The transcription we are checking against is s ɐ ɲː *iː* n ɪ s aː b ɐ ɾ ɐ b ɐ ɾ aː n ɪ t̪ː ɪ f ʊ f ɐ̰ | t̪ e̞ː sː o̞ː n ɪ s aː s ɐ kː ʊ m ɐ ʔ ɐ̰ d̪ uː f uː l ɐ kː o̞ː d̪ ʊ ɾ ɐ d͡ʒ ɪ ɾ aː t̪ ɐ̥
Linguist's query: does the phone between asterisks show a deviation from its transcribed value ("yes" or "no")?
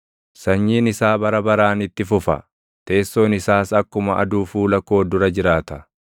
no